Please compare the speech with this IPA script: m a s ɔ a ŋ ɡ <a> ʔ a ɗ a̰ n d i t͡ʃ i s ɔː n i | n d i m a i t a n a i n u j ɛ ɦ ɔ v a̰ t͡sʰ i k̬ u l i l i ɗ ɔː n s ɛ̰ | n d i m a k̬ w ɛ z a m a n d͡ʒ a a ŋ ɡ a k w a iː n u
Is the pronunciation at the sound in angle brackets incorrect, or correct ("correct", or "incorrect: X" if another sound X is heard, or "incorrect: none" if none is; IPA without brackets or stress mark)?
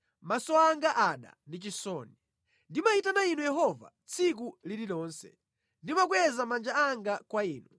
correct